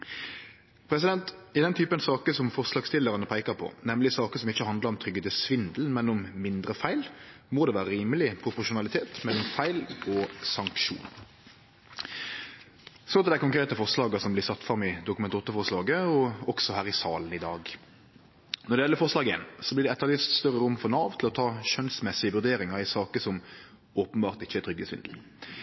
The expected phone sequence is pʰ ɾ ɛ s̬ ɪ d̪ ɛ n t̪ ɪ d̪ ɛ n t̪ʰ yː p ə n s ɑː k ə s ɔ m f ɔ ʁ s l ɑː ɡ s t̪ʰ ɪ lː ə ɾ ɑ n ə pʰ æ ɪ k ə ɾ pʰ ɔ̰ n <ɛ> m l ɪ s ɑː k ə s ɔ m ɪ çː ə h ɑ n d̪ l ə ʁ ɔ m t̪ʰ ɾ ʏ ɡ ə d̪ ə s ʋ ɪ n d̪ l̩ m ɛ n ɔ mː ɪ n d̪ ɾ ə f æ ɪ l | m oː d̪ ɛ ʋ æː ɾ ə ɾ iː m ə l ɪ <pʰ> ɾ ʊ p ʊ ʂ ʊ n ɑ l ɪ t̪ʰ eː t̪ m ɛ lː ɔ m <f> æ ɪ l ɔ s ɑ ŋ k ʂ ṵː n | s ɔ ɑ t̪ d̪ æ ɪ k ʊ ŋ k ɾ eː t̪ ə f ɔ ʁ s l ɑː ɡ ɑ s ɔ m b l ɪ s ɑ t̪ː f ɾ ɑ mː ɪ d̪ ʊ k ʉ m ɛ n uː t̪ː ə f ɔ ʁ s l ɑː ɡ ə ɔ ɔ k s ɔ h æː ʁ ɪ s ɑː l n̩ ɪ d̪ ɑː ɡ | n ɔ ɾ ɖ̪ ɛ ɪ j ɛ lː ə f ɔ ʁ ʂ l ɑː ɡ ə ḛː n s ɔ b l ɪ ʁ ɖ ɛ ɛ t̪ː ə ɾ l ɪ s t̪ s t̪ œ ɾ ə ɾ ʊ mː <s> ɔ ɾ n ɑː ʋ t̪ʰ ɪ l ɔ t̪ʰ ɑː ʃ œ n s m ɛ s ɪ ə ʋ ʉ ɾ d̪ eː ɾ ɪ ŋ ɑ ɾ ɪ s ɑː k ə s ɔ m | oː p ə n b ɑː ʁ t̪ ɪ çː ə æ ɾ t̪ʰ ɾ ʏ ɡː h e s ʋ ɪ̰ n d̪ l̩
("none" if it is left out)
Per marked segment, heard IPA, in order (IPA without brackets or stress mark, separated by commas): ɛ, pʰ, f, f